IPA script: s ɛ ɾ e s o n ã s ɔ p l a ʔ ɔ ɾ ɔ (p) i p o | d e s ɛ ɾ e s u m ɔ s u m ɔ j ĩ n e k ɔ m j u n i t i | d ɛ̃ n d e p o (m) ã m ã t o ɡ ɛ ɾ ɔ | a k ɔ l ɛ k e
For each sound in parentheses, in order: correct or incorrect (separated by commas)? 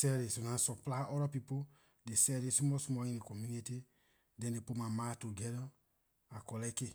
correct, correct